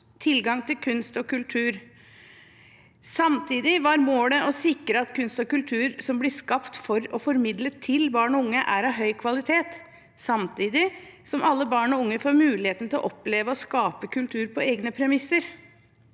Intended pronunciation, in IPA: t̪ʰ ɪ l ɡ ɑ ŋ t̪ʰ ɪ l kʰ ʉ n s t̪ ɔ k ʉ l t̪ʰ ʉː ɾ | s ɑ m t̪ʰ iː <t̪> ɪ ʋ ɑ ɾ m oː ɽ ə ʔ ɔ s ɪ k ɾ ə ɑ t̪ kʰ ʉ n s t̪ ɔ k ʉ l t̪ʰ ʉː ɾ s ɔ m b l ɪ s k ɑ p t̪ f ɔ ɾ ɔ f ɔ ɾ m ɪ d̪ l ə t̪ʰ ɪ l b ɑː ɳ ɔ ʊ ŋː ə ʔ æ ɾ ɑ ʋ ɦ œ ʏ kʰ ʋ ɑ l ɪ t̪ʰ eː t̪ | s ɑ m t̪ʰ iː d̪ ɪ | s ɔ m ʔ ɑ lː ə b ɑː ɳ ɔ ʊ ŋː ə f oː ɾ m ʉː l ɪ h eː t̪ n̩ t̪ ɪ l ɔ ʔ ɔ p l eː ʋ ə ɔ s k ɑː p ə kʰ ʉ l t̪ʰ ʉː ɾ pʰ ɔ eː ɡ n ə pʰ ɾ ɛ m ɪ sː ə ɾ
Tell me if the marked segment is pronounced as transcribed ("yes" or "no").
no